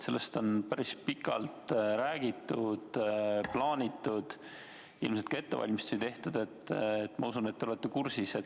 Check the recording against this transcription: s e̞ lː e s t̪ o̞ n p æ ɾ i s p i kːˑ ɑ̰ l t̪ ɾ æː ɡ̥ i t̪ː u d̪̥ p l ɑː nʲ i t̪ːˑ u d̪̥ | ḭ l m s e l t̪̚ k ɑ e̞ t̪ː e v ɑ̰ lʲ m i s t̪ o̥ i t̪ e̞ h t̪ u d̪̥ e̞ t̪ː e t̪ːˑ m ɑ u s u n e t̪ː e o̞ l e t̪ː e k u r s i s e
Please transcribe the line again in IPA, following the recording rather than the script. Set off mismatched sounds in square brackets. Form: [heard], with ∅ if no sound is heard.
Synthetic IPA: s e̞ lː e s t̪ o̞ n p æ ɾ i s p i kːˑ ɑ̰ l t̪ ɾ æː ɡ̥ i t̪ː u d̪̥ p l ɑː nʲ i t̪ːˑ u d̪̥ | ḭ l m s e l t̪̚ k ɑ e̞ t̪ː e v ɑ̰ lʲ m i s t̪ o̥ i t̪ e̞ h t̪ u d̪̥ e̞ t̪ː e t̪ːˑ m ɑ u s u n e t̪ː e o̞ l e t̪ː e k u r s i s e